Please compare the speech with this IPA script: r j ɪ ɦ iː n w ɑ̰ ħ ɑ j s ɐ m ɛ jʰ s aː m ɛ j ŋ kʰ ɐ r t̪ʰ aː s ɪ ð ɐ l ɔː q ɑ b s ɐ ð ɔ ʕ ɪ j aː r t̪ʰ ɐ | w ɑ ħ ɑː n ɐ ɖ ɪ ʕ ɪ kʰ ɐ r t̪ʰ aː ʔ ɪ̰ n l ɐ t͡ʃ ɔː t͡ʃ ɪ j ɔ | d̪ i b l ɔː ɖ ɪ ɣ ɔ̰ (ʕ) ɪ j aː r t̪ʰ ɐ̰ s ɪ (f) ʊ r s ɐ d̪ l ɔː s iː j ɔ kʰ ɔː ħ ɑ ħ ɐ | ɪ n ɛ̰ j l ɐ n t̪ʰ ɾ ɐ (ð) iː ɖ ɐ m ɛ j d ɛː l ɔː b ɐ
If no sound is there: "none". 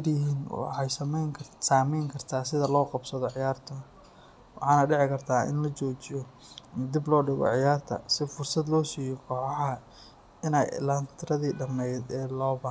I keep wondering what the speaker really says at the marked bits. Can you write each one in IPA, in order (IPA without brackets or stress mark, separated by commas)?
ʕ, f, ð